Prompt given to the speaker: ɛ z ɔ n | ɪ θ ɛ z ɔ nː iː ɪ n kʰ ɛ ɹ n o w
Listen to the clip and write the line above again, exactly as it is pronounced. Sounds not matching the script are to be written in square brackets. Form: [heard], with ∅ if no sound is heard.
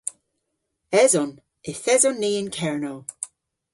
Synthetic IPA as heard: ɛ z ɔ n | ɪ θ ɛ z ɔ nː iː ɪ n kʰ ɛ ɹ n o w